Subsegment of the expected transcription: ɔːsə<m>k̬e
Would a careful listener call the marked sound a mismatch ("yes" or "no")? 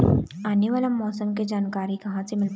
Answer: no